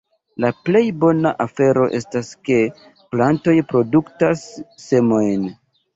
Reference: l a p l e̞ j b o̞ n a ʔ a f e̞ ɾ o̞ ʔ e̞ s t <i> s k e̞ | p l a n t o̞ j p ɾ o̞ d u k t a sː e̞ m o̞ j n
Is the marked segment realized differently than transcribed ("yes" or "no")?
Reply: yes